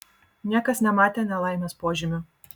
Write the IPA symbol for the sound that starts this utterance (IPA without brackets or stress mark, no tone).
nʲ